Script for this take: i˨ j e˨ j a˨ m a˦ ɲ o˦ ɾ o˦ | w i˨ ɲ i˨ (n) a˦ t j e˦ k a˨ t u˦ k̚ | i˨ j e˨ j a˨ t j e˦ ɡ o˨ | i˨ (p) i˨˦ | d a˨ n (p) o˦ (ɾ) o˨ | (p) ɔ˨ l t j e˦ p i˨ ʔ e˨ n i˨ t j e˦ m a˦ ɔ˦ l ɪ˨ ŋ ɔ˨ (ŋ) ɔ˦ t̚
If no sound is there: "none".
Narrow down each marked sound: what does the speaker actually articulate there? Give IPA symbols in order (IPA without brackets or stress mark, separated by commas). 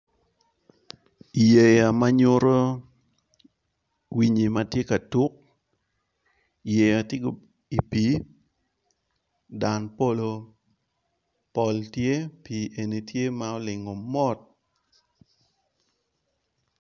m, p, p, l, p, m